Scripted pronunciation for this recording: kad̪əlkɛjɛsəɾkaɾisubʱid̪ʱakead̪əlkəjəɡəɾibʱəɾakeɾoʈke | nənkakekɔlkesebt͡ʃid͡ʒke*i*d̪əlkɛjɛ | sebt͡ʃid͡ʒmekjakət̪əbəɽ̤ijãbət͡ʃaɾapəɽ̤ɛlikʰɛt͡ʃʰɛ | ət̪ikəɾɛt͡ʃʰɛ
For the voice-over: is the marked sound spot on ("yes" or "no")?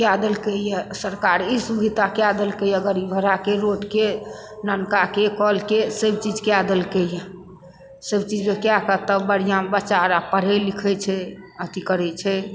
no